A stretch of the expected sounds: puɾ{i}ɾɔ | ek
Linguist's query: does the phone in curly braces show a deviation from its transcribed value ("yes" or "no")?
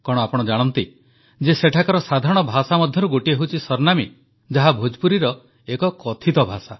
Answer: no